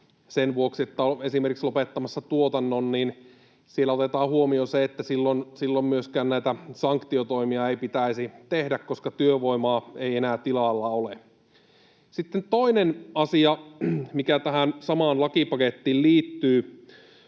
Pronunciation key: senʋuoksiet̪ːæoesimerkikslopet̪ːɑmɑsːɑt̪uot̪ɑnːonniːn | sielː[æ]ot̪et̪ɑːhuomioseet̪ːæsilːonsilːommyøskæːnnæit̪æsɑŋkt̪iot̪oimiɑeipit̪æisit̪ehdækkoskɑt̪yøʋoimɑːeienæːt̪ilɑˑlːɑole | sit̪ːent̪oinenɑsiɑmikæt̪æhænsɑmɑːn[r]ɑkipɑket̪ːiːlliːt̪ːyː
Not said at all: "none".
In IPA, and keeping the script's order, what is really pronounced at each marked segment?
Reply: æ, l

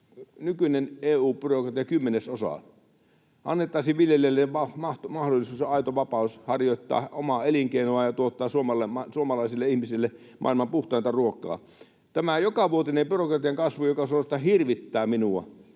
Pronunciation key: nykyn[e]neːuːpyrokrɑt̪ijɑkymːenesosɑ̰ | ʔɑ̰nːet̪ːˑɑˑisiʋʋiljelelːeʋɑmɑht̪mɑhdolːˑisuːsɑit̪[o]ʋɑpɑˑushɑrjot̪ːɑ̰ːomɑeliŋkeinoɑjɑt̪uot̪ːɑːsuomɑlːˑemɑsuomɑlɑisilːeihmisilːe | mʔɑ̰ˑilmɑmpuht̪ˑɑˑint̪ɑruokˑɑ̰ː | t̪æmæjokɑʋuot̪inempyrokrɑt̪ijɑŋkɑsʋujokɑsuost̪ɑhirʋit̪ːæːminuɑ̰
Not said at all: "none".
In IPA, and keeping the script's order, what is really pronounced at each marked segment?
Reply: e, o

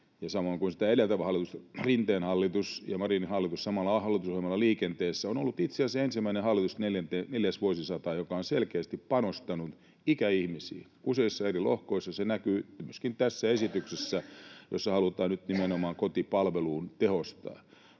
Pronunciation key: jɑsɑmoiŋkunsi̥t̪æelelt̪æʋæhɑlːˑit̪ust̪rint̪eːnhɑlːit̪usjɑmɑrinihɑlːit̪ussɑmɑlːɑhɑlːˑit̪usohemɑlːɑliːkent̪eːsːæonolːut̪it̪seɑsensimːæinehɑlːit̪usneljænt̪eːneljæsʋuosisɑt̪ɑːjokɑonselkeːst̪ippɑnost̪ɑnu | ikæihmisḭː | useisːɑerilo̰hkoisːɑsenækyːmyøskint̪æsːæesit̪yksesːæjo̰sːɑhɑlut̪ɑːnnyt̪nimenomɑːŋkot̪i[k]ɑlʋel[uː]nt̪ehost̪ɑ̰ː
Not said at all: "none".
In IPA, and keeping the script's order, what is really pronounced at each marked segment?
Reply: p, uː

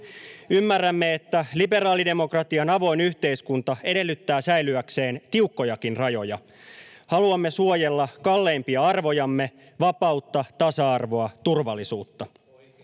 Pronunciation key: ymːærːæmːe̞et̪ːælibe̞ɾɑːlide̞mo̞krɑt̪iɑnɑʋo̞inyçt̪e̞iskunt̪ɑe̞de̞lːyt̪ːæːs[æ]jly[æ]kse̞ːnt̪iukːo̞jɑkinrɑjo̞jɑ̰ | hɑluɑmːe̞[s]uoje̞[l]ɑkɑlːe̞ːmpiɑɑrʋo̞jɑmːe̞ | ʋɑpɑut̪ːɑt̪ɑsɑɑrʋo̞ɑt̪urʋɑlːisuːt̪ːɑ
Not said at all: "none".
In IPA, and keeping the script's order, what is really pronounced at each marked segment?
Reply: æ, æ, s, lː

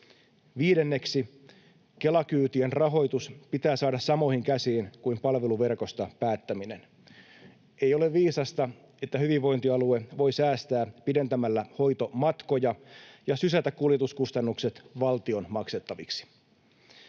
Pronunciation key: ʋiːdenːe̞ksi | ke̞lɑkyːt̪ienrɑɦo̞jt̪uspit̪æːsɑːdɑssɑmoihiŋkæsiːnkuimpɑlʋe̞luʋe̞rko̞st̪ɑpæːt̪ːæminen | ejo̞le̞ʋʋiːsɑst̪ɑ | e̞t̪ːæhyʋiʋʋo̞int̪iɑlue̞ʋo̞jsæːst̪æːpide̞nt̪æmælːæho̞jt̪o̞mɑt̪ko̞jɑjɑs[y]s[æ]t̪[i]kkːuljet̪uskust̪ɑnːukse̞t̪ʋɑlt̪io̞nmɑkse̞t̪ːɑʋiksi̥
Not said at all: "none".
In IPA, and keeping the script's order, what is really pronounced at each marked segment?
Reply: y, æ, æ

